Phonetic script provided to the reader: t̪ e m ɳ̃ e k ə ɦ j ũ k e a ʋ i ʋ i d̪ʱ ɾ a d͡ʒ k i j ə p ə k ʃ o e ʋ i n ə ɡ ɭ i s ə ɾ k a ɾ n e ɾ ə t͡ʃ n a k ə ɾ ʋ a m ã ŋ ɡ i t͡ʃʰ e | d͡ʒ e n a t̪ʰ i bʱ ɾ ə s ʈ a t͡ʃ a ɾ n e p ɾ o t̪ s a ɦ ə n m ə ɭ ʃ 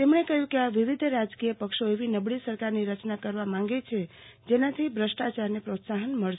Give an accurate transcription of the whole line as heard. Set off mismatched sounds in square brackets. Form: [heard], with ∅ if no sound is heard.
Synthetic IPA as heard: t̪ e m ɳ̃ e k ə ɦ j ũ k e a ʋ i ʋ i d̪ʱ ɾ a d͡ʒ k i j ə p ə k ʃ o e ʋ i n ə [b] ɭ i s ə ɾ k a ɾ n [i] ɾ ə t͡ʃ n a k ə ɾ ʋ a m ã ŋ ɡ [e] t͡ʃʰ e | d͡ʒ e n a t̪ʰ i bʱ ɾ ə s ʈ a t͡ʃ a ɾ n e p ɾ o t̪ s a ɦ ə n m ə ɭ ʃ